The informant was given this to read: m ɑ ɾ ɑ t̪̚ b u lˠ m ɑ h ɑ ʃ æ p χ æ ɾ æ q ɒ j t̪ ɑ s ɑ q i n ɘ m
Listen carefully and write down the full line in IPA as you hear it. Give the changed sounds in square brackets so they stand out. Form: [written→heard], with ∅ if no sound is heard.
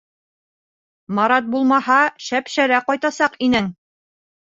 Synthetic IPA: m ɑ ɾ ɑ t̪̚ b u lˠ m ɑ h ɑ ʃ æ p [χ→ʃ] æ ɾ æ q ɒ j t̪ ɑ s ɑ q i n ɘ [m→ŋ]